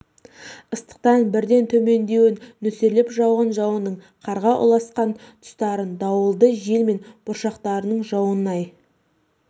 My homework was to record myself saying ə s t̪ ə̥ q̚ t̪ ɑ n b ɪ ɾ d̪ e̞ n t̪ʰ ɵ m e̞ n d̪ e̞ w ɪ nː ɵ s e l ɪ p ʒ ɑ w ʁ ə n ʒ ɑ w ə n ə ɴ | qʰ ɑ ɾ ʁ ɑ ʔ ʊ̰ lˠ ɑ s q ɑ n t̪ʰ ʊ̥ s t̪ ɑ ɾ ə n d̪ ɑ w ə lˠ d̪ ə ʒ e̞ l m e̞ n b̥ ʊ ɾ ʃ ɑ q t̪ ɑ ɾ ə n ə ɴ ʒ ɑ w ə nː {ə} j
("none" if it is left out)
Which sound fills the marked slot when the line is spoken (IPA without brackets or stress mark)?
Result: ɑ